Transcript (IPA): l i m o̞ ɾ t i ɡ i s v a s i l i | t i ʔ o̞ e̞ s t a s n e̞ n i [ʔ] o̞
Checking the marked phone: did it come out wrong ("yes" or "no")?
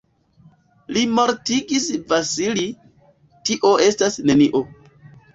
no